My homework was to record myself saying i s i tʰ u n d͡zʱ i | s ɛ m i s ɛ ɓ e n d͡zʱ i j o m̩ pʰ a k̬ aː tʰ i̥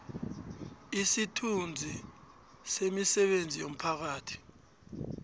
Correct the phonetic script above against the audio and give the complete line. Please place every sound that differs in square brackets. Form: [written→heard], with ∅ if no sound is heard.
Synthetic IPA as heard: i s i tʰ u n d͡zʱ i | s [ɛ→e] m i s ɛ ɓ e n d͡zʱ i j o m̩ pʰ a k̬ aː tʰ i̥